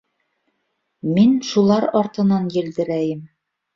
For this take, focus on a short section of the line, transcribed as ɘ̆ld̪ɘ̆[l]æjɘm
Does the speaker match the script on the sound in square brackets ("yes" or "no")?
no